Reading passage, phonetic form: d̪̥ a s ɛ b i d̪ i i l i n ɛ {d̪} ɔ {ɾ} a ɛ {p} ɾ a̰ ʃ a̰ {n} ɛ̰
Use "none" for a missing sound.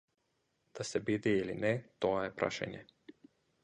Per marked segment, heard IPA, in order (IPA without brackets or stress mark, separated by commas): t̪, none, p, ɲ